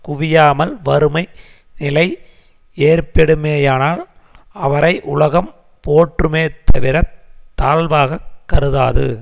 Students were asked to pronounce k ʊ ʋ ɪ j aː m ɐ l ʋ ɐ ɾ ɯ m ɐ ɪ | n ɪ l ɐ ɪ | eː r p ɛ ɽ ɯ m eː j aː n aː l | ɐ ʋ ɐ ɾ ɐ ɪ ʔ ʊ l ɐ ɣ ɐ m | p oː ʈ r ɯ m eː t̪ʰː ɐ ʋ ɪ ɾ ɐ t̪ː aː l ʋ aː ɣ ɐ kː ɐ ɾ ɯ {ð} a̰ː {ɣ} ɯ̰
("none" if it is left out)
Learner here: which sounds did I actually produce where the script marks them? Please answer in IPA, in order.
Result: ð, ð

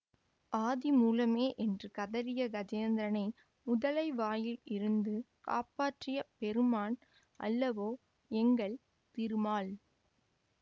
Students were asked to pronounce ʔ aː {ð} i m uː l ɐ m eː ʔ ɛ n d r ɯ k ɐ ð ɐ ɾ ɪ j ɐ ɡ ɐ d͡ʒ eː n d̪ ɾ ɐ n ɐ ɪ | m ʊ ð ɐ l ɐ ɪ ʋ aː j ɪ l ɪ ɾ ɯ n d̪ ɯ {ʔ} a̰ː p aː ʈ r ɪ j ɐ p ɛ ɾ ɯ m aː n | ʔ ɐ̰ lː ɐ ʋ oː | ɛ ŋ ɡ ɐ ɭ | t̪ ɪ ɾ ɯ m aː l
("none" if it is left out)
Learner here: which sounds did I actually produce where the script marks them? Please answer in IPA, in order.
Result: ð, k

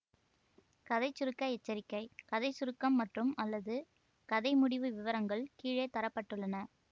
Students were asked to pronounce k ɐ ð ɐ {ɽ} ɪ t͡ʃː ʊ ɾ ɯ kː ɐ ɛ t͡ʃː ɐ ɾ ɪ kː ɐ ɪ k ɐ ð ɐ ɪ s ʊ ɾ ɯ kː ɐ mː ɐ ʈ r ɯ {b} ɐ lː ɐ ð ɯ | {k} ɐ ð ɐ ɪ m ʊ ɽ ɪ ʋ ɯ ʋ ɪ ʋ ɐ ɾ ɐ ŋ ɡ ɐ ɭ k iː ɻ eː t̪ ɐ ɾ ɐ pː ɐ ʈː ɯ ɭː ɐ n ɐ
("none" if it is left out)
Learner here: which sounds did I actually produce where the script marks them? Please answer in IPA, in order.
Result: none, m, k

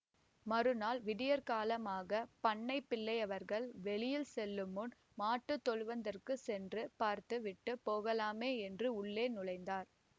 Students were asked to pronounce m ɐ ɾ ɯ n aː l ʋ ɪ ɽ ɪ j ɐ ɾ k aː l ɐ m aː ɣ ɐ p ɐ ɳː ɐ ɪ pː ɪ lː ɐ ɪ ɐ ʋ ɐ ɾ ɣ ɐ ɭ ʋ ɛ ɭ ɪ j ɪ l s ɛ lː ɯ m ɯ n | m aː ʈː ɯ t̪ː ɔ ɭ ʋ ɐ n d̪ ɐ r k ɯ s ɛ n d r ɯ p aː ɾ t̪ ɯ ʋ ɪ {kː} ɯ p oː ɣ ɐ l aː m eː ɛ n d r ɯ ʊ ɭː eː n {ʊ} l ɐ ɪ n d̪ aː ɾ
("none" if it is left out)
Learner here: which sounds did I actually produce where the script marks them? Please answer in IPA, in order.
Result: ʈː, ʊ

